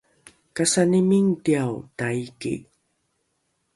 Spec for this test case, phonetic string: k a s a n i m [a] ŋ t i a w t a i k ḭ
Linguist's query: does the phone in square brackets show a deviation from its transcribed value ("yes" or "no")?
yes